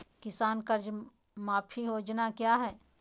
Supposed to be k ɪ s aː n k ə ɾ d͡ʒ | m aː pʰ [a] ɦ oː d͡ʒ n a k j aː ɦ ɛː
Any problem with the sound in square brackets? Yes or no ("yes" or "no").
yes